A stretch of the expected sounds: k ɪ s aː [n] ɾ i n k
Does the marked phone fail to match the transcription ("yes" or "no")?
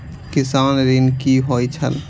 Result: no